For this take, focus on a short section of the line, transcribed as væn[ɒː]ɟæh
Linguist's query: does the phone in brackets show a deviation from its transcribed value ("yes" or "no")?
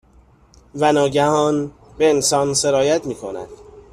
no